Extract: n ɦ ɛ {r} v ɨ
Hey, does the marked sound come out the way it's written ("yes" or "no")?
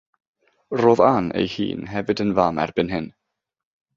no